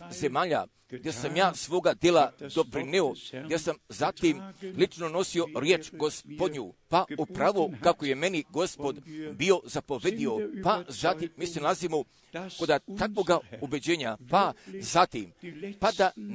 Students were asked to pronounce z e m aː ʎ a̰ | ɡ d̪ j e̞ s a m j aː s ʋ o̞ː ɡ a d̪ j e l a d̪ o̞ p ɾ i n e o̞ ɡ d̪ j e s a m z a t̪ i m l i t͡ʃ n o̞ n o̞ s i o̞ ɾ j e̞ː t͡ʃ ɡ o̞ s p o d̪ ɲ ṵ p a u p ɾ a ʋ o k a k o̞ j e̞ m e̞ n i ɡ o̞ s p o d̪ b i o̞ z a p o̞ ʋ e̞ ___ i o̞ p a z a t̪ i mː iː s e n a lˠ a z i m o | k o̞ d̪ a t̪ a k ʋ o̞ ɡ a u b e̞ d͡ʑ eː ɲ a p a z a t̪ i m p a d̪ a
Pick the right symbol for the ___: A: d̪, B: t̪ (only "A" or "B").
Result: A